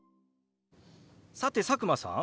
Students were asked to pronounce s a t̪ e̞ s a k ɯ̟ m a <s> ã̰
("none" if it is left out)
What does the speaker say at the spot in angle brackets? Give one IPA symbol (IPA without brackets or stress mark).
s